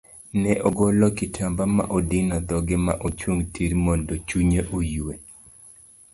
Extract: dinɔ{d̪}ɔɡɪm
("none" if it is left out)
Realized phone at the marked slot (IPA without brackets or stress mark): d̪